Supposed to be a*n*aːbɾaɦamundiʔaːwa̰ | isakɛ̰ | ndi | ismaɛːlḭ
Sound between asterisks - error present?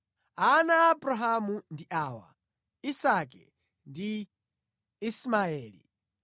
no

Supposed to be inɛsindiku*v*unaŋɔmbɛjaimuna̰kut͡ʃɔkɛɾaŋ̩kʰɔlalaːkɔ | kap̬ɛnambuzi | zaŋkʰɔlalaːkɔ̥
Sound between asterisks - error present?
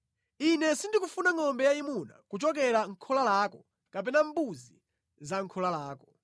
yes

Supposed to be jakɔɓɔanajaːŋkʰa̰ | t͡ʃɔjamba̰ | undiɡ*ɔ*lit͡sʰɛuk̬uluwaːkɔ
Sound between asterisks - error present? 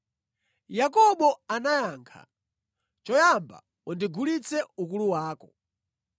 yes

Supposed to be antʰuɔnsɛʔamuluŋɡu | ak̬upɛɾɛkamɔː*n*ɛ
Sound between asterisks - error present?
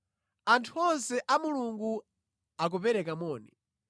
no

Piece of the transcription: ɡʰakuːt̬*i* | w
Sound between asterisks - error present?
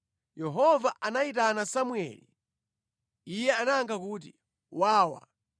no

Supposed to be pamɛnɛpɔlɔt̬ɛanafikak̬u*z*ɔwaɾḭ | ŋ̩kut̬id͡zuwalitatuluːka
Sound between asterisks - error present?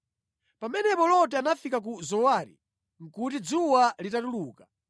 no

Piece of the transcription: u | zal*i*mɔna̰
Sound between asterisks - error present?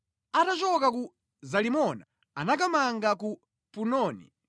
no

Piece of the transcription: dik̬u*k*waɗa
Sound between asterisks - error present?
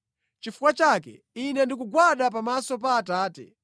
yes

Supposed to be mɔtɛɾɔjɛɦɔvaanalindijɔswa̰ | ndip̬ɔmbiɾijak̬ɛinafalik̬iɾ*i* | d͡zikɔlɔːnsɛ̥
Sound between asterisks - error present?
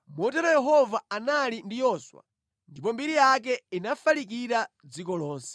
yes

